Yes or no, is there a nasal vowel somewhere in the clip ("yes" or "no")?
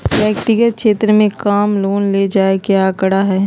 yes